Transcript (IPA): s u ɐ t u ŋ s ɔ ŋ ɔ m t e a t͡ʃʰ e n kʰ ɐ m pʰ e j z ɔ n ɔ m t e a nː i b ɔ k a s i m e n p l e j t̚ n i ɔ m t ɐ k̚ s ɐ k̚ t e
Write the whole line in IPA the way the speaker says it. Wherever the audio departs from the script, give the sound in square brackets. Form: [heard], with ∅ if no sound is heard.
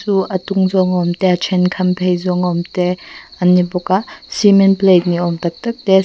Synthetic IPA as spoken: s u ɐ t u ŋ [z] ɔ ŋ ɔ m t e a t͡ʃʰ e n kʰ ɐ m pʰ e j z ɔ [ŋ] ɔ m t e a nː i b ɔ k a s i m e n p l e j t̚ n i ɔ m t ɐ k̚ [t] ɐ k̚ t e

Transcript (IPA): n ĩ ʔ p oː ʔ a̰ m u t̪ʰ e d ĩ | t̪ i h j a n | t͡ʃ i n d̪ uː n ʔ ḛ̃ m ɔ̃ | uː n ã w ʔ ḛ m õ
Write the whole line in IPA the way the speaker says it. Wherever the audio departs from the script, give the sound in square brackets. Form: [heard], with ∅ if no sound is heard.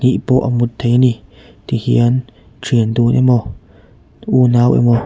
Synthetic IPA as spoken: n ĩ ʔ p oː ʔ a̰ m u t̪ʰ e [n] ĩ | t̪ i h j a n | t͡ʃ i n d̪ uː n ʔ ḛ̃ m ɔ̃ | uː n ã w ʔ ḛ m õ

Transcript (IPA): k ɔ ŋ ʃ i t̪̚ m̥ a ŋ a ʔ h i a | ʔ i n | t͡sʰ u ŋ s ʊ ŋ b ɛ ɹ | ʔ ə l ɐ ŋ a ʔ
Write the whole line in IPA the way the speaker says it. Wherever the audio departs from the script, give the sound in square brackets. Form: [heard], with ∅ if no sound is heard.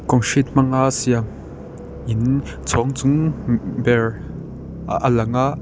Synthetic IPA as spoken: k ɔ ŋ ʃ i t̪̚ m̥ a ŋ a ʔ [s] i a | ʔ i n | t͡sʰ [ɔ] ŋ [t͡s] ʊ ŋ b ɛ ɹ | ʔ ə l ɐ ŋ a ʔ

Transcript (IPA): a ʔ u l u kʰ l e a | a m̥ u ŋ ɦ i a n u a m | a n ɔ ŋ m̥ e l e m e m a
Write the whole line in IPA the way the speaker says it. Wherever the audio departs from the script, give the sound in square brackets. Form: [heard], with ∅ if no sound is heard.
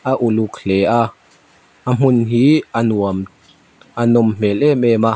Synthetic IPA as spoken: a ʔ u l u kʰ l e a | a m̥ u [n] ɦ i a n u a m | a n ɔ [m] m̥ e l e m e m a

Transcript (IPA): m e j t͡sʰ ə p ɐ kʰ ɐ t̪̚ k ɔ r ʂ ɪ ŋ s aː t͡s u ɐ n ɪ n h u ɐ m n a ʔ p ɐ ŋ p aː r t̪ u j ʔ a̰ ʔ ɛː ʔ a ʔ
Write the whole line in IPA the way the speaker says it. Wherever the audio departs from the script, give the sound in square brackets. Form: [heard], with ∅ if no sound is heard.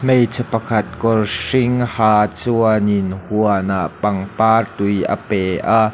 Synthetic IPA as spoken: m e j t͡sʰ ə p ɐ kʰ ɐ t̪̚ k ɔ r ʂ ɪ ŋ [h] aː t͡s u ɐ n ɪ n h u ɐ [∅] n a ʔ p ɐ ŋ p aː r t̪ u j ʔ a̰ [p] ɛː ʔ a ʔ

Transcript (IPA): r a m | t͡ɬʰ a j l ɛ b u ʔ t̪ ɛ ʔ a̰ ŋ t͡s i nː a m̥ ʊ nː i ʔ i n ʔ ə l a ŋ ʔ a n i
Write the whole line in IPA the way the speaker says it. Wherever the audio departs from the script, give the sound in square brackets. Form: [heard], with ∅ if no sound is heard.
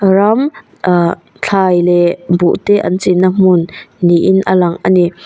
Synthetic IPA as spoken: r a m | t͡ɬʰ a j l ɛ b u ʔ t̪ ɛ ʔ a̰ [n] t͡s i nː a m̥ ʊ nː i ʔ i n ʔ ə l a ŋ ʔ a n i

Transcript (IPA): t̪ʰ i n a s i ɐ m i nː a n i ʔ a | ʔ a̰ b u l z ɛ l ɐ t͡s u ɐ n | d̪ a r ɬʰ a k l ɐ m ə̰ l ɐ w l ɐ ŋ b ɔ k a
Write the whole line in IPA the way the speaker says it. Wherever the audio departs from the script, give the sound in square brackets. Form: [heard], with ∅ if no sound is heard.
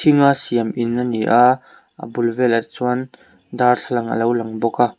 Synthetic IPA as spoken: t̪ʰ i [ŋ] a s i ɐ m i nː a n i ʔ a | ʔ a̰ b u l [v] ɛ l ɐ t͡s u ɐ n | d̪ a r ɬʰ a [∅] l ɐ [ŋ] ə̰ l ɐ w l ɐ ŋ b ɔ k a

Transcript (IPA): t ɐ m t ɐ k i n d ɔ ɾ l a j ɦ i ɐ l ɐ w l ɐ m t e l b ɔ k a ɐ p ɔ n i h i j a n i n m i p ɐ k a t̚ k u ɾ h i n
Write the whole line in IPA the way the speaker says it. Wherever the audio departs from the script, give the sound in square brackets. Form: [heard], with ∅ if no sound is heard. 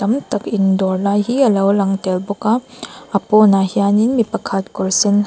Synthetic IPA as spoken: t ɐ m t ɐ k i n d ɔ ɾ l a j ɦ i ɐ l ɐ w l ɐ [ŋ] t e l b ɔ k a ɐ p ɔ n [a] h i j a n i n m i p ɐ [kʰ] a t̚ k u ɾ [s] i n

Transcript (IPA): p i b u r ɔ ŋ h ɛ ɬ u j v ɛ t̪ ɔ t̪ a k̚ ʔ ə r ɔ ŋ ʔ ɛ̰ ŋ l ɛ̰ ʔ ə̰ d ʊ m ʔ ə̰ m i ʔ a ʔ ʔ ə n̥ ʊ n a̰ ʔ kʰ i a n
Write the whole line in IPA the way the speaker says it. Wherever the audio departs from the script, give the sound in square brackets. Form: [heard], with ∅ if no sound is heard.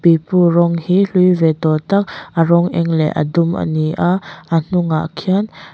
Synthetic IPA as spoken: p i [p] u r ɔ ŋ h [i] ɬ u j v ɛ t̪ ɔ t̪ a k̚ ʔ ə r ɔ ŋ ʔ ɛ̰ ŋ l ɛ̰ ʔ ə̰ d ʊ m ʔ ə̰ [n] i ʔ a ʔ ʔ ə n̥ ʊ [ŋ] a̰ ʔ kʰ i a n

